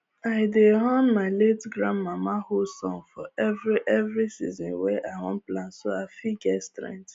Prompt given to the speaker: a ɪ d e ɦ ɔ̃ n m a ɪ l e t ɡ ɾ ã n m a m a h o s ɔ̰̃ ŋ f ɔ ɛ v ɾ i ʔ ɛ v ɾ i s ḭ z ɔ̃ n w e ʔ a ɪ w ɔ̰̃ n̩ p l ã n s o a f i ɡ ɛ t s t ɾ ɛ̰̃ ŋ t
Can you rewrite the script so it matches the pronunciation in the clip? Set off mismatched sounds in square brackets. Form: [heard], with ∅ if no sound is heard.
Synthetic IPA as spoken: a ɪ d e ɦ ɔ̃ n m a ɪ l e t ɡ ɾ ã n m a m a h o s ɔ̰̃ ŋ f ɔ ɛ v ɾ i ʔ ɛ v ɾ i s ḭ z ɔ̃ n w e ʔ a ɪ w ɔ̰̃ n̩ p l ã n s o a f i ɡ ɛ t s t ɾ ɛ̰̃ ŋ t